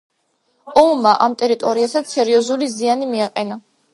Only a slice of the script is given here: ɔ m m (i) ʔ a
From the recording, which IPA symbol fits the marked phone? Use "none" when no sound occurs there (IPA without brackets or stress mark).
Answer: a